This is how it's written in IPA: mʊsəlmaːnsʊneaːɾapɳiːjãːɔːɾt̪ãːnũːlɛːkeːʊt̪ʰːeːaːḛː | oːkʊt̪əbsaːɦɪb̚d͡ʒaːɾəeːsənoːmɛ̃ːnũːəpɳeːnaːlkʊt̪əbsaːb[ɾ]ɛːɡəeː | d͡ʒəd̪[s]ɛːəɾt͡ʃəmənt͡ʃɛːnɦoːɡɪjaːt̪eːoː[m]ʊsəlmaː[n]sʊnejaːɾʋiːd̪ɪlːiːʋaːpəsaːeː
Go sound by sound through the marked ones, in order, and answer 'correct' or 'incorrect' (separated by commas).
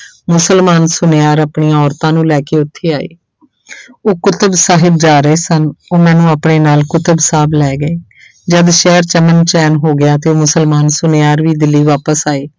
incorrect, incorrect, correct, correct